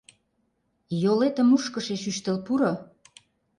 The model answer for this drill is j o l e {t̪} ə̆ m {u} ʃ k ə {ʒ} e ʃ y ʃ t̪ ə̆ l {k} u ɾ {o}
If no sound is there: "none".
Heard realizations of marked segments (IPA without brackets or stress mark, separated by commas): t̪, u, ʃ, p, o